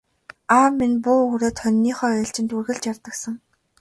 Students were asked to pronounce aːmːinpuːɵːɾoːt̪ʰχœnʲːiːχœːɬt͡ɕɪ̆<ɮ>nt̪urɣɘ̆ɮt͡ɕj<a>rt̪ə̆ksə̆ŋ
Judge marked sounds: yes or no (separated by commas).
no, yes